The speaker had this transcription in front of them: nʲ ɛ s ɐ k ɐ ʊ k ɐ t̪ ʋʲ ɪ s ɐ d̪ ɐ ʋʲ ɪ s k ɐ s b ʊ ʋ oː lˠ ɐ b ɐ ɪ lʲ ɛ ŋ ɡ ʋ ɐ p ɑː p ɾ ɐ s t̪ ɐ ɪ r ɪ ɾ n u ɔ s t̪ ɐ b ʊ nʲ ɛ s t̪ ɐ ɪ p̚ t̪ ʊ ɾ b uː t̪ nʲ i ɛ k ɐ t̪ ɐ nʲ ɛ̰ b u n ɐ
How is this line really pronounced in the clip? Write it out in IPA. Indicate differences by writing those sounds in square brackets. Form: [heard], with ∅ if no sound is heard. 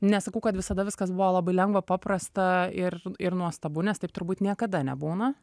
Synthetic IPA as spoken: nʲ ɛ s ɐ k ɐ ʊ k ɐ t̪ ʋʲ ɪ s ɐ d̪ ɐ ʋʲ ɪ s k ɐ s b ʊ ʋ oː lˠ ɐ b ɐ ɪ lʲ ɛ ŋ ɡ ʋ ɐ p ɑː p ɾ ɐ s t̪ ɐ ɪ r ɪ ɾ n u ɔ s t̪ ɐ b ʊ nʲ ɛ s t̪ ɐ ɪ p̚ t̪ ʊ ɾ b uː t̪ nʲ i ɛ k ɐ [d̪] ɐ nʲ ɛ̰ b [uː] n ɐ